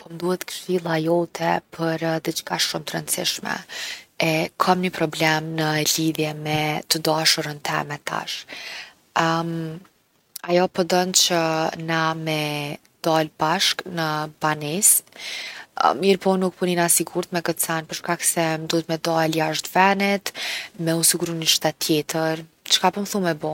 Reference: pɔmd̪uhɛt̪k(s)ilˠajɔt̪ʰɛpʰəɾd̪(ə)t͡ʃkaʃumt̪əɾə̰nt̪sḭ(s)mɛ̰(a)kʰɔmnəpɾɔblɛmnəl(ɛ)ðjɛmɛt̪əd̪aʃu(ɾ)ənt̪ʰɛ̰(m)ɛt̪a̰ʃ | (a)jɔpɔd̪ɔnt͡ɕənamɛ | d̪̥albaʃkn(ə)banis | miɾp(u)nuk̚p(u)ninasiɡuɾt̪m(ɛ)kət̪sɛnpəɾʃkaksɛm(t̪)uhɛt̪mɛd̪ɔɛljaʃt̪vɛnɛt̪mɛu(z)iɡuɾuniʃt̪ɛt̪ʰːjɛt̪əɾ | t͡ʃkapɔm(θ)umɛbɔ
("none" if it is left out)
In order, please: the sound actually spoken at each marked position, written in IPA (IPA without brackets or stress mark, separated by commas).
ʃ, ə, ʃ, ɛ, i, ɾ, m, a, ə, ɔ, u, ɛ, d̪, s, θ